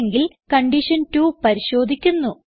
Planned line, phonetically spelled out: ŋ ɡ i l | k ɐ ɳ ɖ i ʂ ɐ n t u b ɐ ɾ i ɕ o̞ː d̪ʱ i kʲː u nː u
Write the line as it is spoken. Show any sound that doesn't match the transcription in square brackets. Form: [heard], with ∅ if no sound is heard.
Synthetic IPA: ŋ ɡ i l | k ɐ ɳ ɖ i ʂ ɐ n t u [p] ɐ ɾ i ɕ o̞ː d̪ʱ i kʲː u nː u